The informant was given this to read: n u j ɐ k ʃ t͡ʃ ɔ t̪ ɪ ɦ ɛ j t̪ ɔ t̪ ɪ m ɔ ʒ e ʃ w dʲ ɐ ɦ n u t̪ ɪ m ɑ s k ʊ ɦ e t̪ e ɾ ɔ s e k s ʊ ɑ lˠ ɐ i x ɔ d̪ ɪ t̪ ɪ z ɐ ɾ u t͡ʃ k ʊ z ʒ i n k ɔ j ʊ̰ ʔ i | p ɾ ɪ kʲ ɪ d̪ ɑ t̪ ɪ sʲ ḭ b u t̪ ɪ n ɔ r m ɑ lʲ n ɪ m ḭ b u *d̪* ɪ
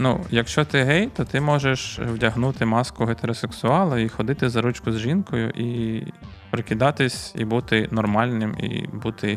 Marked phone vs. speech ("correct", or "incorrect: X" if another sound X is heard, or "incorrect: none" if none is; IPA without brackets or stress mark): incorrect: t̪